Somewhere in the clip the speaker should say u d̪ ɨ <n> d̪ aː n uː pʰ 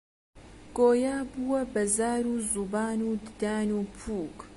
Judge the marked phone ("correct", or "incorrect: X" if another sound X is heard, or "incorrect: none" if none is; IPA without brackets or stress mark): incorrect: none